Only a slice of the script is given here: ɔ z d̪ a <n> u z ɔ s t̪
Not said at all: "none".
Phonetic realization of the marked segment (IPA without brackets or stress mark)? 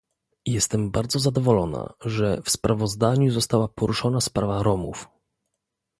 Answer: ɲ